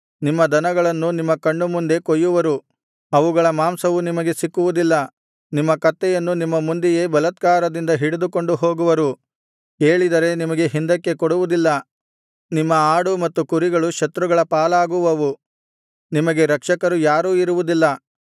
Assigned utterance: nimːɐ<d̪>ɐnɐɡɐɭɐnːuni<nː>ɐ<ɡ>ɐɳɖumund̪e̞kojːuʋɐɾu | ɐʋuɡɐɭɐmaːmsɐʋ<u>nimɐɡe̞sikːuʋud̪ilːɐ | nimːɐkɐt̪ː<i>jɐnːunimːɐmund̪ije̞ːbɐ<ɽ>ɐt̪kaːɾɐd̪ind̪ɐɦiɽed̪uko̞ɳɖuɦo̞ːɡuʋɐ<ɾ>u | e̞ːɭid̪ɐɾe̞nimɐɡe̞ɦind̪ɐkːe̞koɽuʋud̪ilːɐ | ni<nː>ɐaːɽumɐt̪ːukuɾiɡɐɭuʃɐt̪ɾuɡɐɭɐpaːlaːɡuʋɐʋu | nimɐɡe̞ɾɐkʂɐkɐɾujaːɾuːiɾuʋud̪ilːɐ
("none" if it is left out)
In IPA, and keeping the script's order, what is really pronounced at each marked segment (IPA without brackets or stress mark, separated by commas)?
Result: d̪, mː, k, u, ɛ, l, ɾ, mː